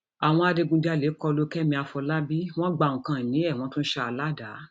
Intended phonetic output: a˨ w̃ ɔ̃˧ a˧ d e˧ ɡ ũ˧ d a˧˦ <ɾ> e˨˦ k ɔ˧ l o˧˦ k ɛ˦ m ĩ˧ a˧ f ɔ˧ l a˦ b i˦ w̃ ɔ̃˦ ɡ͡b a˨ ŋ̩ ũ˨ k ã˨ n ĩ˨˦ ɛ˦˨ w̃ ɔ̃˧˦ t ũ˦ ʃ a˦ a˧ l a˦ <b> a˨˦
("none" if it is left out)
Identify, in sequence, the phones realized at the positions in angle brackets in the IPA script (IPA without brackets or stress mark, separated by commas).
l, d